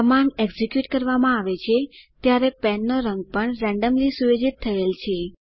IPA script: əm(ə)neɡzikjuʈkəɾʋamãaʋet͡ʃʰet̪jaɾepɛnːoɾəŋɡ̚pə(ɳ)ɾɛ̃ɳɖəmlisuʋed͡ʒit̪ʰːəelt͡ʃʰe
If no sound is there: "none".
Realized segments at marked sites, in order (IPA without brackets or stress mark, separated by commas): a, ɳ